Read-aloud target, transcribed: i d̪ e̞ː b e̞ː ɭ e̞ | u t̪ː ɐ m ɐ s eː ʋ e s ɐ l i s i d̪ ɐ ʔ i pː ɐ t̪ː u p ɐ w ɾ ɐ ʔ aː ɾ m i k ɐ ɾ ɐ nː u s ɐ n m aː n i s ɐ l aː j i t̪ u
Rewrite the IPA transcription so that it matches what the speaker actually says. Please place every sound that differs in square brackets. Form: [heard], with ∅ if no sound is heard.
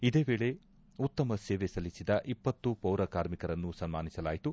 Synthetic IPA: i d̪ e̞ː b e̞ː ɭ e̞ | u t̪ː ɐ m ɐ s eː ʋ e s ɐ l i s i d̪ ɐ ʔ i pː ɐ t̪ː u p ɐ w ɾ ɐ [k] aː ɾ m i k ɐ ɾ ɐ nː u s ɐ n m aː n i s ɐ l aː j i t̪ u